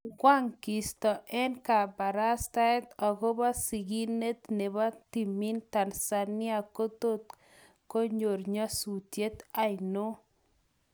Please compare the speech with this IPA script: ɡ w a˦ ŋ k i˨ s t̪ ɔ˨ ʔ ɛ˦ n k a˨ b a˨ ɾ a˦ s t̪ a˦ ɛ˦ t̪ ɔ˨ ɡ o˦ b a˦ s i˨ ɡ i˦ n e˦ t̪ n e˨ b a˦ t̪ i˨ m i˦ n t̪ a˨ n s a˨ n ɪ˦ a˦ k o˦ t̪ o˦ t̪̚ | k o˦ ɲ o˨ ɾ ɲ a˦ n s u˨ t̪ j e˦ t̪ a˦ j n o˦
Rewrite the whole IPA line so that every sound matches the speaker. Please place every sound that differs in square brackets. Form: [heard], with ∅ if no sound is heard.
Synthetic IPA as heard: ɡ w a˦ ŋ k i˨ s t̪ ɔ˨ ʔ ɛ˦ n k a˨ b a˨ ɾ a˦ s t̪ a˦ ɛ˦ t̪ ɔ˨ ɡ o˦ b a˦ s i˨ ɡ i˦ n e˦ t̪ n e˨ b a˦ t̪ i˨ m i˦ n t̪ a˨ n s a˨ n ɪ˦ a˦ k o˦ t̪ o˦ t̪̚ | k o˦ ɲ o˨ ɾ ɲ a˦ [∅] s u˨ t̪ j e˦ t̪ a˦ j n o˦

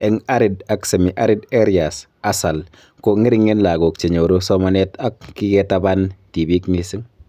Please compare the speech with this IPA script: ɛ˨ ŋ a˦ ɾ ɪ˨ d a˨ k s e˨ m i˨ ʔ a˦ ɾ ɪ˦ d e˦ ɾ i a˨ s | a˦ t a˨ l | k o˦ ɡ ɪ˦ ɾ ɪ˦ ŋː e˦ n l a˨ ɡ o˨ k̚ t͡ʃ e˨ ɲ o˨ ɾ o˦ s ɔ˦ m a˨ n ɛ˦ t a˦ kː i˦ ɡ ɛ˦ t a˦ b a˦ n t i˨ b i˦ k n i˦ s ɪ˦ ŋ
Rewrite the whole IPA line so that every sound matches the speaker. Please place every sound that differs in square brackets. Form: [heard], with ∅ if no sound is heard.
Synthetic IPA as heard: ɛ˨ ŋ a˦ ɾ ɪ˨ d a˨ k s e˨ m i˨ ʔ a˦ ɾ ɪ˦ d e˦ ɾ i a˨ s | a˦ [s] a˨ l | k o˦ [ŋ] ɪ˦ ɾ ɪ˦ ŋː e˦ n l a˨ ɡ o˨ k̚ t͡ʃ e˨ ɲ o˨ ɾ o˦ s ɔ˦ m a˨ n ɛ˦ t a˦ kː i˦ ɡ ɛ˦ t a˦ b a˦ n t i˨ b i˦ k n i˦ s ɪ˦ ŋ

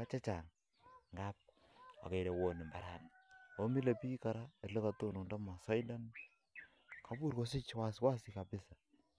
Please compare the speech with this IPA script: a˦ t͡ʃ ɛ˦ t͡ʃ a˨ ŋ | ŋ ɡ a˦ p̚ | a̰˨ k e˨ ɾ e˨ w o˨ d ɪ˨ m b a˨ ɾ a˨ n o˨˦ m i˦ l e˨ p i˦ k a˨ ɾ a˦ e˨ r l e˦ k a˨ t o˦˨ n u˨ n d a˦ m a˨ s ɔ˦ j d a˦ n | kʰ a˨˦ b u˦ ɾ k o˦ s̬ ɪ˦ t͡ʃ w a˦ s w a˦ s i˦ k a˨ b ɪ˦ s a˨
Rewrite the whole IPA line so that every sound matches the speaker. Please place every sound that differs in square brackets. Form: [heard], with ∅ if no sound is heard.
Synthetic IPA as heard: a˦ t͡ʃ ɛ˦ t͡ʃ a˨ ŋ | ŋ ɡ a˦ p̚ | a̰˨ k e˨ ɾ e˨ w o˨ [n] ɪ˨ m b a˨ ɾ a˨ n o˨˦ m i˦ l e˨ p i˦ k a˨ ɾ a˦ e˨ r l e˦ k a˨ t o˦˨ n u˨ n d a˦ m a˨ s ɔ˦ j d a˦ n | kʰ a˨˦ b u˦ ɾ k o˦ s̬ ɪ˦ t͡ʃ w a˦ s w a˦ s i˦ k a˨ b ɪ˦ s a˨

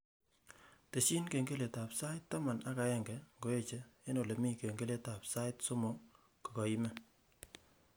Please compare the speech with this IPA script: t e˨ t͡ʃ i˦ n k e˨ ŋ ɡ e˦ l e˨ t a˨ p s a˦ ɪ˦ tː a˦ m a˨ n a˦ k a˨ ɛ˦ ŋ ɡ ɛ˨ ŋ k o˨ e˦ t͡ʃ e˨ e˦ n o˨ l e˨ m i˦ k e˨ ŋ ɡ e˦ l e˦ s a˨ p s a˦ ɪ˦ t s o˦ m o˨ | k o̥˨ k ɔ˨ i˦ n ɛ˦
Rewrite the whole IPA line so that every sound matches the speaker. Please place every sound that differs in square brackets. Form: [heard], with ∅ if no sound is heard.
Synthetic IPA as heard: t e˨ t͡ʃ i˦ n k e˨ ŋ ɡ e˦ l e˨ t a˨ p s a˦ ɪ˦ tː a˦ m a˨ n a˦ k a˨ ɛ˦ ŋ ɡ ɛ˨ ŋ [ɡ] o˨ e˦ t͡ʃ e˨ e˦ n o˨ l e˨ m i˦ k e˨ ŋ ɡ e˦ l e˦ [t] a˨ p s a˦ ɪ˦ t s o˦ m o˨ | k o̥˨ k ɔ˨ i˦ [m] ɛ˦

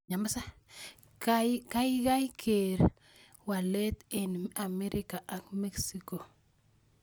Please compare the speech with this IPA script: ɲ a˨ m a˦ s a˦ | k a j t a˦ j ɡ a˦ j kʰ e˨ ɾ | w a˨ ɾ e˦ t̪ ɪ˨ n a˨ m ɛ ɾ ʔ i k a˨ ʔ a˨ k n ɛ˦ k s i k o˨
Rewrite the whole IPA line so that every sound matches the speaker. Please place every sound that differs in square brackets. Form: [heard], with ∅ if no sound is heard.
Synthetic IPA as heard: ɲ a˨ m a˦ s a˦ | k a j [k] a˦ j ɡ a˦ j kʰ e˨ ɾ | w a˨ [l] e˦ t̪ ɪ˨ n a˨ m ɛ ɾ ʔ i k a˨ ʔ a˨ k [m] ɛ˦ k s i k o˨

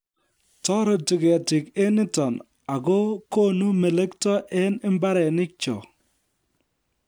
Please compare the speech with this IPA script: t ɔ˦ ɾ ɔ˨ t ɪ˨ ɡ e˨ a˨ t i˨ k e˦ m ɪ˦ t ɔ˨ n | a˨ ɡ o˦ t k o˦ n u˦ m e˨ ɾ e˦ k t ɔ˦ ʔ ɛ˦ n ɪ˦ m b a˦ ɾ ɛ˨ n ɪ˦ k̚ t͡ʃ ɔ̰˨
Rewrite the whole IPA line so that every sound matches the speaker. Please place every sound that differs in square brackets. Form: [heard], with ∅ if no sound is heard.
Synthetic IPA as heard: t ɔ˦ ɾ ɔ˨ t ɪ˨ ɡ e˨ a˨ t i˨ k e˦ [n] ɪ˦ t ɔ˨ n | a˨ ɡ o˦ [∅] k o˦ n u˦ m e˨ [l] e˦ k t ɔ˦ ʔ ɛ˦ n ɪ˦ m b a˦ ɾ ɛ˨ n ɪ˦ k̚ t͡ʃ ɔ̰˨

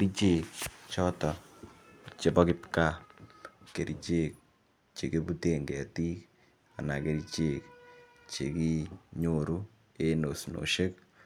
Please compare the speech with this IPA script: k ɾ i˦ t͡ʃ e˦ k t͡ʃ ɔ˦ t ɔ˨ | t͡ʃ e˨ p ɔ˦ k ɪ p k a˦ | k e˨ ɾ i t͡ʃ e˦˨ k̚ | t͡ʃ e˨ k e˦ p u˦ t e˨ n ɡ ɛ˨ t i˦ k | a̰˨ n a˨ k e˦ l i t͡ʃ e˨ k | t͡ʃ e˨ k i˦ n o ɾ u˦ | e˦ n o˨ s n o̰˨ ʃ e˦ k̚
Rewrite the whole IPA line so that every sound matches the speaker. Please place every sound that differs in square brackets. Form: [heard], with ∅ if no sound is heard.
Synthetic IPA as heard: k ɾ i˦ t͡ʃ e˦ k t͡ʃ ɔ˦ t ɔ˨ | t͡ʃ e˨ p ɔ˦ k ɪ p k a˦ | k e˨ ɾ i t͡ʃ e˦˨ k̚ | t͡ʃ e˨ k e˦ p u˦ t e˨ [ŋ] ɡ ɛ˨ t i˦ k | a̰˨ n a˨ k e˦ [ɾ] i t͡ʃ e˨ k | t͡ʃ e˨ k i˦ [ɲ] o ɾ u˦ | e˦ n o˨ s n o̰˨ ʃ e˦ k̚

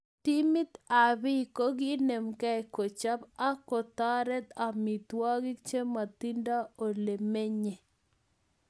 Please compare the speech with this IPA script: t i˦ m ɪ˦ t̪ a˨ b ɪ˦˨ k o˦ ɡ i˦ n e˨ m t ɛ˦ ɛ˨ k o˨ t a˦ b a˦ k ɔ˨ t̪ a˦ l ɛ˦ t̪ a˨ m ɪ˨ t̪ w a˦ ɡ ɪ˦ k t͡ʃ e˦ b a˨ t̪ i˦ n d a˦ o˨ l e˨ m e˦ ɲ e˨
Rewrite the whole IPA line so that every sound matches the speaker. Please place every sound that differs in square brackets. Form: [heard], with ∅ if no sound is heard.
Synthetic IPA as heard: t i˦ m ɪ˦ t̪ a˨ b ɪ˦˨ k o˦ ɡ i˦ n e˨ m [k] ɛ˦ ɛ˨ k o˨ [t͡ʃ] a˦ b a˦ k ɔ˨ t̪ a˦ [ɾ] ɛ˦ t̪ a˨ m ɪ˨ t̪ w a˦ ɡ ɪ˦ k t͡ʃ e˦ [m] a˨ t̪ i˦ n d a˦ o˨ l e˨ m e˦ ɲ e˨

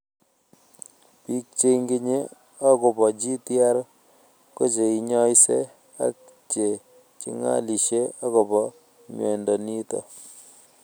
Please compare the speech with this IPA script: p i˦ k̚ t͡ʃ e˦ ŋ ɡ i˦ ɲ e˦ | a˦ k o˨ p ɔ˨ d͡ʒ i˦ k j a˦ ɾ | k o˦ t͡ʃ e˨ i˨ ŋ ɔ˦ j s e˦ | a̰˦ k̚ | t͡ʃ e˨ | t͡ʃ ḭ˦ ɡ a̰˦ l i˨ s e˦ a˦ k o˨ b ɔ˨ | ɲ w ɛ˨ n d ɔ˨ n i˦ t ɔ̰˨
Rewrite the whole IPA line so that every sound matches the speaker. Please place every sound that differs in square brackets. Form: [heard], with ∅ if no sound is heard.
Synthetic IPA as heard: p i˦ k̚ t͡ʃ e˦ ŋ ɡ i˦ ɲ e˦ | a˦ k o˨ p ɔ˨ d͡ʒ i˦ [t] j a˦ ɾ | k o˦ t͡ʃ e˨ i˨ [ɲ] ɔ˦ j s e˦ | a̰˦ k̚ | t͡ʃ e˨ | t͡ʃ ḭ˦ [ŋ] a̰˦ l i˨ [ʃ] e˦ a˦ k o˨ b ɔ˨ | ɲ w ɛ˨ n d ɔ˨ n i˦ t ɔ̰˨

